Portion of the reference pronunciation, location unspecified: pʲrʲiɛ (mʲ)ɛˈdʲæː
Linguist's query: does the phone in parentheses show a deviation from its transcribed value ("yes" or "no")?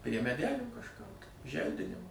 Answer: no